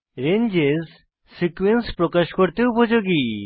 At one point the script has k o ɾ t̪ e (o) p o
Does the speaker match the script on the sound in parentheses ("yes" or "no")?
no